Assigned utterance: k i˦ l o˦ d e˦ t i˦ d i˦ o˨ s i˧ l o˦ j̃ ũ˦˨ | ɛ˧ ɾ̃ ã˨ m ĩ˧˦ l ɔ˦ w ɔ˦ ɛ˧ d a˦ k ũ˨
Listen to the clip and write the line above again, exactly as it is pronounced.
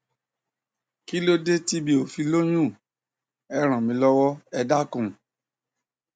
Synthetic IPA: k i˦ l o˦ d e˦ t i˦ b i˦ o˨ f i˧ l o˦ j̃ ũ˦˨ | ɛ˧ ɾ̃ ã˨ m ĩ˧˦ l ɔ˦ w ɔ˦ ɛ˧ d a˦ k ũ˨

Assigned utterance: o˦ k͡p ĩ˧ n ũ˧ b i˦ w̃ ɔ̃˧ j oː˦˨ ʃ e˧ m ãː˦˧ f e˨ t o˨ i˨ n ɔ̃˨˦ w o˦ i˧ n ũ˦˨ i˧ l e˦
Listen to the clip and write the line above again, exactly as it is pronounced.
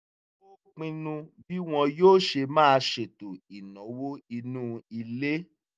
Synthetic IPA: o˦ k͡p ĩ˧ n ũ˧ b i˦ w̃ ɔ̃˧ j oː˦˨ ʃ e˧ m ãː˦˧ ʃ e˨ t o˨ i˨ n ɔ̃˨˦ w o˦ i˧ n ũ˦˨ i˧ l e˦

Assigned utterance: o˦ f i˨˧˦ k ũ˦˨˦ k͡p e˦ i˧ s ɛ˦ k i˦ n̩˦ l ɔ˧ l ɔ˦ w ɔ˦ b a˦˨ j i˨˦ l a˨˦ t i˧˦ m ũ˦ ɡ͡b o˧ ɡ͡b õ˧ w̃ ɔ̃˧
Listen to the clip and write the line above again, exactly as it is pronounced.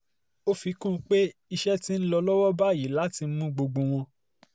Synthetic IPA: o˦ f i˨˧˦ k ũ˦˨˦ k͡p e˦ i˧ ʃ ɛ˦ t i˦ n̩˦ l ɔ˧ l ɔ˦ w ɔ˦ b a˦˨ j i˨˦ l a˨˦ t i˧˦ m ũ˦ ɡ͡b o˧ ɡ͡b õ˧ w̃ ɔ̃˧

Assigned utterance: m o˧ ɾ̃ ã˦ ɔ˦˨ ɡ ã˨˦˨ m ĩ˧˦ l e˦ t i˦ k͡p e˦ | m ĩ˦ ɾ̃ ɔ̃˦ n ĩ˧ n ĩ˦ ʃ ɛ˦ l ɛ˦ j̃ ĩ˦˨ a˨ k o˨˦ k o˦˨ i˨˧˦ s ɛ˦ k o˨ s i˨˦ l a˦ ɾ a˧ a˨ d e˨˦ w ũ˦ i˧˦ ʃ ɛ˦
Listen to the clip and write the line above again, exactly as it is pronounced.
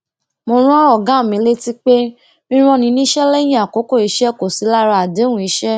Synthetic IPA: m o˧ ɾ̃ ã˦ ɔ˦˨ ɡ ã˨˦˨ m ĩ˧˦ l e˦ t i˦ k͡p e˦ | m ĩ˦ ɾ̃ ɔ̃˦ n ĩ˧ n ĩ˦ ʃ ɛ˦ l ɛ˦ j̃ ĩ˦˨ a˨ k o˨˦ k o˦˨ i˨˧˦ ʃ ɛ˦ k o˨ s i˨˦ l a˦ ɾ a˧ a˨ d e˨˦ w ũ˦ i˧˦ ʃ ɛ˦

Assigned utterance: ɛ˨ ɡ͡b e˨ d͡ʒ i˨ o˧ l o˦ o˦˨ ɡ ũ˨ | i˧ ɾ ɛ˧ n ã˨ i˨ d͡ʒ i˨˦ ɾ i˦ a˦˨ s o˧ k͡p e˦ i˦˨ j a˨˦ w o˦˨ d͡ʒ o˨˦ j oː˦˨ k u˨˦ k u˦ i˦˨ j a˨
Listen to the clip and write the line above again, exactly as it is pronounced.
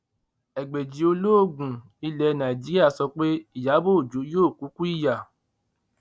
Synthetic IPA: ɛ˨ ɡ͡b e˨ d͡ʒ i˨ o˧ l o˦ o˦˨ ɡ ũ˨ | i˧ l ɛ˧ n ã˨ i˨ d͡ʒ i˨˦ ɾ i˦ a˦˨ s ɔ˧ k͡p e˦ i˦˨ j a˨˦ b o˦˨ d͡ʒ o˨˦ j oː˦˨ k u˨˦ k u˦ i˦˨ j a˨

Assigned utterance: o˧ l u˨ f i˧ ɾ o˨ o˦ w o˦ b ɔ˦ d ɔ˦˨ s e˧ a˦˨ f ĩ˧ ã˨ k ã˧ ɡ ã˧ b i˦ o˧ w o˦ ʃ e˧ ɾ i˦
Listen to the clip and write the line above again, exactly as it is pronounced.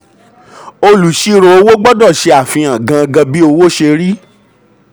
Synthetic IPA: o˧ l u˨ ʃ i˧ ɾ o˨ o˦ w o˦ ɡ͡b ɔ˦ d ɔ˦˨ ʃ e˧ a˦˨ f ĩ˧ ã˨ ɡ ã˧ ɡ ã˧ b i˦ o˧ w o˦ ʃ e˧ ɾ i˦

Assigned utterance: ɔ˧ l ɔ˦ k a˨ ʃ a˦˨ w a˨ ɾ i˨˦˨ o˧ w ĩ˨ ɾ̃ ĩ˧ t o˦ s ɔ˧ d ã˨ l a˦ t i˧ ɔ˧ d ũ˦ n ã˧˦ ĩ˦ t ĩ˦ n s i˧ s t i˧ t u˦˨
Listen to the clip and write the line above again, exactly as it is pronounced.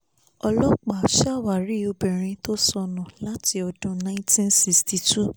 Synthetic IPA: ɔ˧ l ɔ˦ k͡p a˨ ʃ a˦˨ w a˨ ɾ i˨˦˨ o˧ b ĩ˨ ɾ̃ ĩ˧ t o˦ s ɔ˧ n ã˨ l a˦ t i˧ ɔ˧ d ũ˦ n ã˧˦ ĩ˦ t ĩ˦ n s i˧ s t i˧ t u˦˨

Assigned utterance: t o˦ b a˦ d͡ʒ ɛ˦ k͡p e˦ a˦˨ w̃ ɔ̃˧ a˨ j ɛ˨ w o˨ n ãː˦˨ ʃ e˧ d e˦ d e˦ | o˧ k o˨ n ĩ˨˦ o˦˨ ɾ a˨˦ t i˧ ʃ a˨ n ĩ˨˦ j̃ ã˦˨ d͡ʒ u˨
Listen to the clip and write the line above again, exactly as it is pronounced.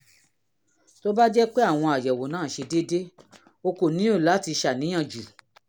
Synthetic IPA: t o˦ b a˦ d͡ʒ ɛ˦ k͡p e˦ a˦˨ w̃ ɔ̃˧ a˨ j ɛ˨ w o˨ n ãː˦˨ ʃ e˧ d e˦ d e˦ | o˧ k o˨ n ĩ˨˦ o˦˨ l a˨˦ t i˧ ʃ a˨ n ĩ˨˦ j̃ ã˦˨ d͡ʒ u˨

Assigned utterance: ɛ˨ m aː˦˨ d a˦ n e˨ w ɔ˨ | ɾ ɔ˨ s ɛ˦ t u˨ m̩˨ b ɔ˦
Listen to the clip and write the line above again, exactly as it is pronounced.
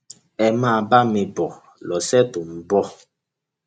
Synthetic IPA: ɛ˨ m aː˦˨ b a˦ m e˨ b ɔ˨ | l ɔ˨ s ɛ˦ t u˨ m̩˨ b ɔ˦

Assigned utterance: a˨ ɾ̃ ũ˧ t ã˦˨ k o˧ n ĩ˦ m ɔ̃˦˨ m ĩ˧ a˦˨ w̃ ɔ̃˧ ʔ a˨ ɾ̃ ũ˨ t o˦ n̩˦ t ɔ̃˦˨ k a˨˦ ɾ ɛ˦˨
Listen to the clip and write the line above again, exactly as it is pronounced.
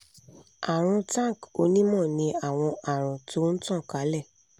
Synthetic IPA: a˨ ɾ̃ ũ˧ t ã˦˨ k o˧ n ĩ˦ m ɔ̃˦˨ n ĩ˧ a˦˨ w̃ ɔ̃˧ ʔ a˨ ɾ̃ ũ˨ t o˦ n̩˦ t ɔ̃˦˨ k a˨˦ l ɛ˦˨

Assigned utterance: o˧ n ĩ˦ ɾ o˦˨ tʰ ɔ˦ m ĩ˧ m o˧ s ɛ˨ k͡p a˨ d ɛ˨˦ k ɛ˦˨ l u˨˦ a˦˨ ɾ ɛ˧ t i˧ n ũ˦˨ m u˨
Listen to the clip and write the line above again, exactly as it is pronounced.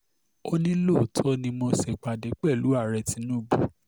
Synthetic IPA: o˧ n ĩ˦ l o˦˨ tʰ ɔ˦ n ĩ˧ m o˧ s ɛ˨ k͡p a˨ d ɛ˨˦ k͡p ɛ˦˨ l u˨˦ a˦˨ ɾ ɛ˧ t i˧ n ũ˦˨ b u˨

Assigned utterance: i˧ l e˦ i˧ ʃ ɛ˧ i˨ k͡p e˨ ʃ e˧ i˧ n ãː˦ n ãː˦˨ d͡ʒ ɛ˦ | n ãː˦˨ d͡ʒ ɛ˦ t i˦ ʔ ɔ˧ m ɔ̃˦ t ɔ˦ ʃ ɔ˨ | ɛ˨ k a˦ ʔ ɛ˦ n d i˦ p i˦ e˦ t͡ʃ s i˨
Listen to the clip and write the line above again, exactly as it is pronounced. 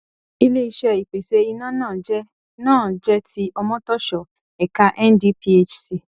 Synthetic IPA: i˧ l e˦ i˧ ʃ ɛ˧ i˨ k͡p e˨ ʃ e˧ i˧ n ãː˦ n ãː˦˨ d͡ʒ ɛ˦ | n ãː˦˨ d͡ʒ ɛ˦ t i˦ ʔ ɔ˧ m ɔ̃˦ t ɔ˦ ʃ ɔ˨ | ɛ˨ k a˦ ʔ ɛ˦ n d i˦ p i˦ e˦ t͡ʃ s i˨

